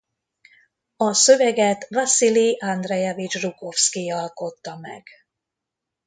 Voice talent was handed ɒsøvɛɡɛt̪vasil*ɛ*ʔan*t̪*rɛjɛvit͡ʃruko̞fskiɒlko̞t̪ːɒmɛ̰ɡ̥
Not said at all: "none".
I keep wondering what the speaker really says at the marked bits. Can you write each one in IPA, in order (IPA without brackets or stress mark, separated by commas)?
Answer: i, d̪